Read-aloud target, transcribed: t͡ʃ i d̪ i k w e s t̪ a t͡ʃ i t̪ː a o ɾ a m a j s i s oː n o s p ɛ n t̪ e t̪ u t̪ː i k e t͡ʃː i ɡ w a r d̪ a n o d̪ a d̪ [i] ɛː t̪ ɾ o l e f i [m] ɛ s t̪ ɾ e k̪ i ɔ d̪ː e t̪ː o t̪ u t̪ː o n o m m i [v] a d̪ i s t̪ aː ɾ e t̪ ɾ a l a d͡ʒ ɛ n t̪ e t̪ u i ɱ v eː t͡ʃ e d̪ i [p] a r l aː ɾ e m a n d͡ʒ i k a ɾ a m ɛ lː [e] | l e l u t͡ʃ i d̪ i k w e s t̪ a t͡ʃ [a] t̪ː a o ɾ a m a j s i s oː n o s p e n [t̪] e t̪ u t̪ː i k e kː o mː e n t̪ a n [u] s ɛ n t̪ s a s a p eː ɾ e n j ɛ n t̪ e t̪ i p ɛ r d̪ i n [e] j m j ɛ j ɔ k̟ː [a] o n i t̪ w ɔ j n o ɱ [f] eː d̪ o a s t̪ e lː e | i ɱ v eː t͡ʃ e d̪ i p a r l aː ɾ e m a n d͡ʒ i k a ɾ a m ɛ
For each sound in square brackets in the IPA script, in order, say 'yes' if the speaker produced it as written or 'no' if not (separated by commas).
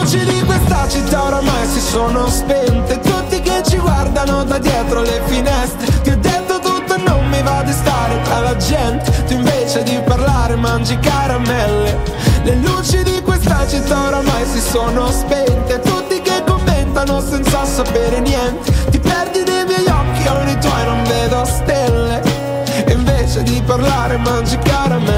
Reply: no, no, yes, yes, yes, no, yes, no, yes, no, no